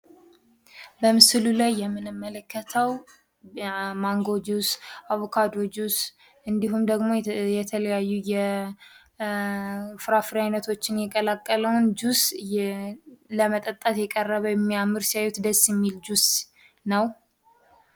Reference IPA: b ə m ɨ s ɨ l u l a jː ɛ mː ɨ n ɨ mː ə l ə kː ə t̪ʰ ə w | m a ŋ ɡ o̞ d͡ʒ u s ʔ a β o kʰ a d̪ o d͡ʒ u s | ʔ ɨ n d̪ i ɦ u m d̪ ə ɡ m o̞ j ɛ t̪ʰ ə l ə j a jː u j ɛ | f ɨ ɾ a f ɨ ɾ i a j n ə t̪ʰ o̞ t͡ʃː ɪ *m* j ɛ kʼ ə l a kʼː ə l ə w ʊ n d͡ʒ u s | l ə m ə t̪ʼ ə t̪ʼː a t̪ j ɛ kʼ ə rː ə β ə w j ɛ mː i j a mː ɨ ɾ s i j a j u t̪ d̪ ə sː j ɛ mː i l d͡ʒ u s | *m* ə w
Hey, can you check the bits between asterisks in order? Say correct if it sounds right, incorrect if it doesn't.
incorrect, incorrect

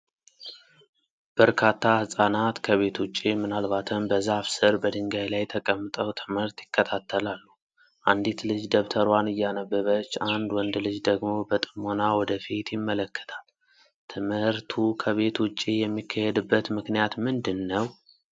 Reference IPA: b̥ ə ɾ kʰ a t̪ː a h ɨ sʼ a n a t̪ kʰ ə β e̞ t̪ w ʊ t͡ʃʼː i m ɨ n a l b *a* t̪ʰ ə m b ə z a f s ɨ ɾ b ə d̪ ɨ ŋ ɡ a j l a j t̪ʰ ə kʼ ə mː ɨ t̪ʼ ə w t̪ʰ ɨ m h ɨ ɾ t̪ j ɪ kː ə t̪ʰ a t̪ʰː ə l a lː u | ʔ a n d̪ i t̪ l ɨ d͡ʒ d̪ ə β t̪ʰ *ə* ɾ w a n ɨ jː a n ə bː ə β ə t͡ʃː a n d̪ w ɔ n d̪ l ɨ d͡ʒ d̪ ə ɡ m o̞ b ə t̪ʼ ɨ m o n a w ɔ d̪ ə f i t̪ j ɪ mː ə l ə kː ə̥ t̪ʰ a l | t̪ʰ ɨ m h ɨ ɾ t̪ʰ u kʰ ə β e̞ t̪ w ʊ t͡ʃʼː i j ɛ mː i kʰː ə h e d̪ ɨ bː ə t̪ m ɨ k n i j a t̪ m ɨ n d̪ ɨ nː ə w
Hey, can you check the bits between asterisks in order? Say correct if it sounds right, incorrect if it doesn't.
correct, correct

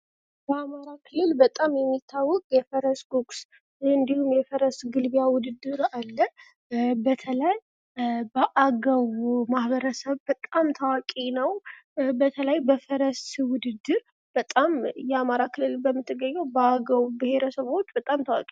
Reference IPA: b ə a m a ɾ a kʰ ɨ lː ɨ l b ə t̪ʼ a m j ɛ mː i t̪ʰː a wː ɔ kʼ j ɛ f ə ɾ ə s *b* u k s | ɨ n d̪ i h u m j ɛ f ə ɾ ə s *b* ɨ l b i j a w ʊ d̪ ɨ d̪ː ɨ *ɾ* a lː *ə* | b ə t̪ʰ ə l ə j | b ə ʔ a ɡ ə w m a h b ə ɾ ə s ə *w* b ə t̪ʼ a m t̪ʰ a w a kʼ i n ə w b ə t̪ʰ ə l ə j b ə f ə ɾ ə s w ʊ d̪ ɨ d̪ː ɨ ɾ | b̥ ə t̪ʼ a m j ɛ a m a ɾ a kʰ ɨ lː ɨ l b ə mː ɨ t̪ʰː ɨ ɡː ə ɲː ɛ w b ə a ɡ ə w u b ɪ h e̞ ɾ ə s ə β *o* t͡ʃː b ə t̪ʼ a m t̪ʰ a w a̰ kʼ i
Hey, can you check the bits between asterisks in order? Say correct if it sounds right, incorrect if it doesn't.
incorrect, incorrect, correct, correct, incorrect, correct

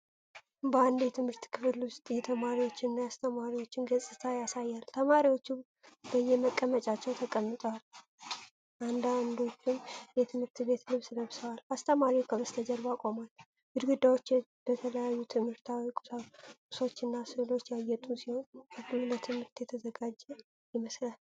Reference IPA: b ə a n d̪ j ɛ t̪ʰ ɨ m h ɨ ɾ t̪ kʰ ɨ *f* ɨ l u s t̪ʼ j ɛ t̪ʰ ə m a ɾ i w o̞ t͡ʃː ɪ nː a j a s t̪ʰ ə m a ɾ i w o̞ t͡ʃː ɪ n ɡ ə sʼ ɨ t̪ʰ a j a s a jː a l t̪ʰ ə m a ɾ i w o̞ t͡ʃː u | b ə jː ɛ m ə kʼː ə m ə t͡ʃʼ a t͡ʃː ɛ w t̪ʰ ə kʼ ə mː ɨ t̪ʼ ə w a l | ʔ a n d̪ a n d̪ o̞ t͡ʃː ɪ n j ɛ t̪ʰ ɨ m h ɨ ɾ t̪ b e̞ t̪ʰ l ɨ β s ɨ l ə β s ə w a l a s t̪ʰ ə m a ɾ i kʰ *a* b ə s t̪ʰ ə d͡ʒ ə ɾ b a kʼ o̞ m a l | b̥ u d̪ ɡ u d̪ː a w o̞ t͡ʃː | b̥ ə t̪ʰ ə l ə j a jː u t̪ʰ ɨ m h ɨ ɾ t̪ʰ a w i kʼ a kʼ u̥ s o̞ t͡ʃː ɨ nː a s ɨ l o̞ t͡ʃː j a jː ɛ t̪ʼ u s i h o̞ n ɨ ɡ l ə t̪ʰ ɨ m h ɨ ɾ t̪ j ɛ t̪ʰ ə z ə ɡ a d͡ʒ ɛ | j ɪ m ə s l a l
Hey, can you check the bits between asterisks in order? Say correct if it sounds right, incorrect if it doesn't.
correct, incorrect

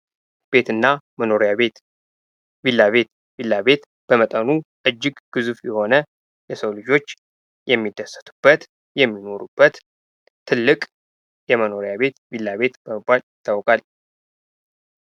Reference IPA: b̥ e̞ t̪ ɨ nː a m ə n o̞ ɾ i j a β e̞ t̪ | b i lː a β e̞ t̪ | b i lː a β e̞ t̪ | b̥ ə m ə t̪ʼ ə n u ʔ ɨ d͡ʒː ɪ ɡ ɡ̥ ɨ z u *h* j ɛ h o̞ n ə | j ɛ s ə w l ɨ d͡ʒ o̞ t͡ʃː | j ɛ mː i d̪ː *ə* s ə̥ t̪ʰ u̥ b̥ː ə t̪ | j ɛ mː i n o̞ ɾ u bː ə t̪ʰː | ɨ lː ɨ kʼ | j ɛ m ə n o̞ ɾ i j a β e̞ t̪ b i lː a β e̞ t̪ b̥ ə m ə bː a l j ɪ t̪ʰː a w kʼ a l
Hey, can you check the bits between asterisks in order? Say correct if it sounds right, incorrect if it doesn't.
incorrect, correct

